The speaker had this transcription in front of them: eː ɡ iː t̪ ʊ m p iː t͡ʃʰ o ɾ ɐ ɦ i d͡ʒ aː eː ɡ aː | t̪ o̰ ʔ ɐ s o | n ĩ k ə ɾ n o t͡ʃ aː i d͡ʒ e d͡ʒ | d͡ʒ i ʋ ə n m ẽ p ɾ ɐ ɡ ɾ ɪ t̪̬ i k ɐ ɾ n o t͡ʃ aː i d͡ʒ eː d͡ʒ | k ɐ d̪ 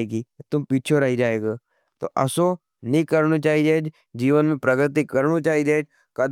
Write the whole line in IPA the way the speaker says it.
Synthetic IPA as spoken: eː ɡ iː t̪ ʊ m p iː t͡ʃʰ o ɾ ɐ ɦ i d͡ʒ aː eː ɡ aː | t̪ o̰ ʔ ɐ s o | n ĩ k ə ɾ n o t͡ʃ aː i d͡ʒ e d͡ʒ | d͡ʒ iː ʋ ə n m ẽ p ɾ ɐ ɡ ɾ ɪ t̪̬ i k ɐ ɾ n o t͡ʃ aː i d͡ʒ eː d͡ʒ | k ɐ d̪